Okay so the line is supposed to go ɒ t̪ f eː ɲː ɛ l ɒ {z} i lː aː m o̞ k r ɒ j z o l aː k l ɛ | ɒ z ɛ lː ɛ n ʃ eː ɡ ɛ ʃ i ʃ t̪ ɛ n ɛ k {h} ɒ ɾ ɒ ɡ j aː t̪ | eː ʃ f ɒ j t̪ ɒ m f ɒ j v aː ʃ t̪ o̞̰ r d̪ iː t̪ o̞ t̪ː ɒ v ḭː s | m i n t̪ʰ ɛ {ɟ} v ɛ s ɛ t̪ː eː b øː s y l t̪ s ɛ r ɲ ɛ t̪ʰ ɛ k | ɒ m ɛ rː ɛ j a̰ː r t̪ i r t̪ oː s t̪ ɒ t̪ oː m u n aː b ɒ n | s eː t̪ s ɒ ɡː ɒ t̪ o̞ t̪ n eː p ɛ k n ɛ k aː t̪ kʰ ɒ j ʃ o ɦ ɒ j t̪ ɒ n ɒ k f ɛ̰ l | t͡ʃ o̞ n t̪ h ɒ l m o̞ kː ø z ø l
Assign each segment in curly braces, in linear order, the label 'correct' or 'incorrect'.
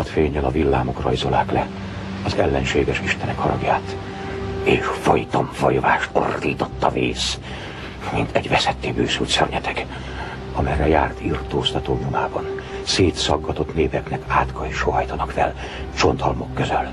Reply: incorrect: v, correct, correct

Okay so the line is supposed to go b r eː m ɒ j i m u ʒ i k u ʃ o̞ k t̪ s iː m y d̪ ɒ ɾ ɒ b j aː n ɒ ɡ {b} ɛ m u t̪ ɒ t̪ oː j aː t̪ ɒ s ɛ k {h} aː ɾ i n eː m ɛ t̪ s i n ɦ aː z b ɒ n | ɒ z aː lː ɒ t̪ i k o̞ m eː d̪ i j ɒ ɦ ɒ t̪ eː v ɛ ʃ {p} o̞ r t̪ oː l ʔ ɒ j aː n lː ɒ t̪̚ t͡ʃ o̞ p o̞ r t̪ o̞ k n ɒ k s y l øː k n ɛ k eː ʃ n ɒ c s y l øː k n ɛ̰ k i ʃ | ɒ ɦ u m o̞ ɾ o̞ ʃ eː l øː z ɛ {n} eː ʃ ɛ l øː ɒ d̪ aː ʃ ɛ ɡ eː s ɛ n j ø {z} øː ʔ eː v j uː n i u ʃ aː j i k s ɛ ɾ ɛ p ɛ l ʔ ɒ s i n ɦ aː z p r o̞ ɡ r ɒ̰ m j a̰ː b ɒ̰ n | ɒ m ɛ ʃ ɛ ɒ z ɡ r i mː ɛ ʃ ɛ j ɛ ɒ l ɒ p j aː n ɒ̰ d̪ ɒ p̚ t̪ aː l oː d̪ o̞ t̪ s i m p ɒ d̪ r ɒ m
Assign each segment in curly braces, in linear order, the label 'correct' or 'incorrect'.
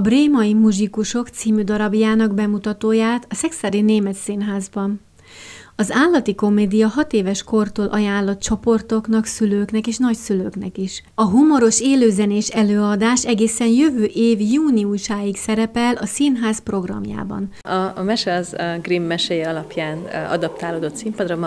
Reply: correct, incorrect: s, incorrect: k, correct, incorrect: v

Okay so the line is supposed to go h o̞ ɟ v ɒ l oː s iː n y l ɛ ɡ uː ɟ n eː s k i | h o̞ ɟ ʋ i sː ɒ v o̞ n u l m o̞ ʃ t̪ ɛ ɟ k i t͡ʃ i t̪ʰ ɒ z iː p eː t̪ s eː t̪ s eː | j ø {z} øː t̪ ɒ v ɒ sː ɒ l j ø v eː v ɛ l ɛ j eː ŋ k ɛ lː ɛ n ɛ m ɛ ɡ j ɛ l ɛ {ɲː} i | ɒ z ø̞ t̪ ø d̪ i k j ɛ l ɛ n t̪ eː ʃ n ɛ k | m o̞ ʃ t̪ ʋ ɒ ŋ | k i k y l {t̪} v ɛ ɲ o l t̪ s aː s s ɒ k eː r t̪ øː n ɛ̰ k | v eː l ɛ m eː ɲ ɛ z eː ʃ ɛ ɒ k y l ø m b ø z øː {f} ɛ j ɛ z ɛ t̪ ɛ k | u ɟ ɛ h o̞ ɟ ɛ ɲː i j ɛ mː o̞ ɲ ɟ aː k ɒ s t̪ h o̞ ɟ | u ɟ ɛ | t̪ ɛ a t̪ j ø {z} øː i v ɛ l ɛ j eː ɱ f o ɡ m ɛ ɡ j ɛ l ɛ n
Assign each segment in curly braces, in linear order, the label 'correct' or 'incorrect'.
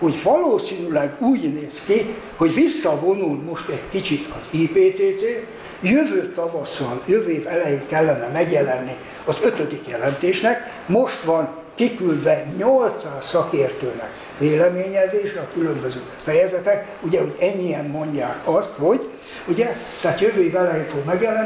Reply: incorrect: v, incorrect: nː, incorrect: d̪, correct, incorrect: v

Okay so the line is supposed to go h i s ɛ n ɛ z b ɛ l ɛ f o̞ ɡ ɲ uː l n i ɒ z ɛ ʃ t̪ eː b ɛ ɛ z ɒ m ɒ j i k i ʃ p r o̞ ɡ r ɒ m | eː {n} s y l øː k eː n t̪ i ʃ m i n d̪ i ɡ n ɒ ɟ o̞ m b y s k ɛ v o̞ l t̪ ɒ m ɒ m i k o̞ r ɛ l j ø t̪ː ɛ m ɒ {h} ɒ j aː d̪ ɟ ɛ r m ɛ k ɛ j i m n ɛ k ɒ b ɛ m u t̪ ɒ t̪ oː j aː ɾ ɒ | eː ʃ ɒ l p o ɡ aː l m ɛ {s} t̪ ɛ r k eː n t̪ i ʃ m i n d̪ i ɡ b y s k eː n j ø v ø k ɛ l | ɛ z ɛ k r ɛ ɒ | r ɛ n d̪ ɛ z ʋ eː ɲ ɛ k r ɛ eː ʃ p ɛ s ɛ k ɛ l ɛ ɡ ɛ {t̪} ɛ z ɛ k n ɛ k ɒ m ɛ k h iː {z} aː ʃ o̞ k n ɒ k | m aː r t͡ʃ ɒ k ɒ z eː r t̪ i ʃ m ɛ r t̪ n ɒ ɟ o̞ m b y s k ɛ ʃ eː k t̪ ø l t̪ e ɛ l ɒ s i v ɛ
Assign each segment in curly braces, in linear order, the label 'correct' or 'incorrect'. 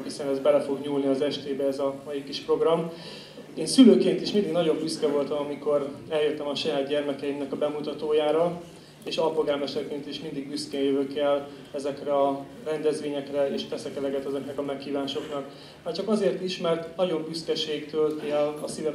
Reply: correct, incorrect: ʃ, incorrect: ʃ, correct, incorrect: v

